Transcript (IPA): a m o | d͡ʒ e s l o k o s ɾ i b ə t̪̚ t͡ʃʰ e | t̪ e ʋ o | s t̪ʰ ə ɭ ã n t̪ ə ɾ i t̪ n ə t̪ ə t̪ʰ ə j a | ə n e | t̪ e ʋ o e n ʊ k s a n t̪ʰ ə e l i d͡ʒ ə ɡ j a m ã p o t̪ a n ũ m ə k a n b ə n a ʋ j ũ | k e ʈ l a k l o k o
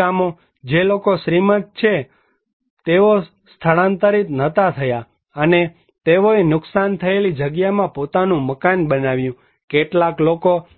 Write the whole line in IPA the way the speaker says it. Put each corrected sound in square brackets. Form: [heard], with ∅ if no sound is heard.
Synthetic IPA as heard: a m o | d͡ʒ e [∅] l o k o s ɾ i [m] ə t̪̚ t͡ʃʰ e | t̪ e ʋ o | s t̪ʰ ə ɭ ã n t̪ ə ɾ i t̪ n ə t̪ [a] t̪ʰ ə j a | ə n e | t̪ e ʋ o e n ʊ k s a n t̪ʰ ə e l i d͡ʒ ə ɡ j a m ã p o t̪ a n ũ m ə k a n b ə n a ʋ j ũ | k e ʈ l a k l o k o